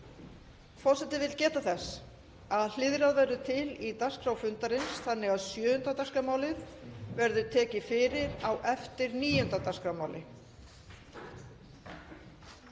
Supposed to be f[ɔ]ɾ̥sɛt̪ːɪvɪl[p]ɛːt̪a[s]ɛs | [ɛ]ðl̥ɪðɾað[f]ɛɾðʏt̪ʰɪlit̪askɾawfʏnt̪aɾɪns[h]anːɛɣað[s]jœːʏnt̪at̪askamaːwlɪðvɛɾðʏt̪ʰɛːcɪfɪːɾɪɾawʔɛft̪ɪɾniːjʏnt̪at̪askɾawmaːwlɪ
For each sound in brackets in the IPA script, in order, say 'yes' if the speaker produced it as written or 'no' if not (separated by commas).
yes, no, no, no, no, no, yes